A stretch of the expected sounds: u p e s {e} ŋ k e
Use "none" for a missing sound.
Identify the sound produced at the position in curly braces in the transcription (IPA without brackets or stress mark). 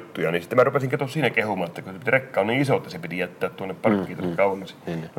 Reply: i